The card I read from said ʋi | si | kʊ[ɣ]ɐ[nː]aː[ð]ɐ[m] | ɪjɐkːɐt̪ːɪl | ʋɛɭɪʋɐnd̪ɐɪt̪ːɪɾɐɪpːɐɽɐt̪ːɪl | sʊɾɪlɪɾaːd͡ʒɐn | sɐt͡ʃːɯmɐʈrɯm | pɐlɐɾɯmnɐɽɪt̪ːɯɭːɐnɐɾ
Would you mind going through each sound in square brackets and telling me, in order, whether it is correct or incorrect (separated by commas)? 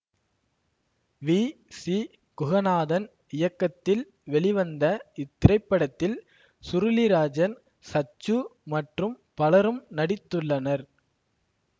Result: correct, incorrect, correct, incorrect